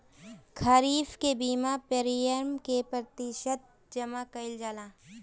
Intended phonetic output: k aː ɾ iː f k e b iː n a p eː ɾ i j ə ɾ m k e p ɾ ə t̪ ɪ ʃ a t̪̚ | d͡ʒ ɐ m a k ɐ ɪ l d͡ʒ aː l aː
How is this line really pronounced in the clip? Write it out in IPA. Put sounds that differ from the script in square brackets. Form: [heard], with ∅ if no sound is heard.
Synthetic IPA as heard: [kʰ] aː ɾ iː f k e b iː [m] a p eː ɾ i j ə ɾ m k e p ɾ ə t̪ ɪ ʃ [ə] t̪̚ | d͡ʒ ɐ m a k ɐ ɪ l d͡ʒ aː l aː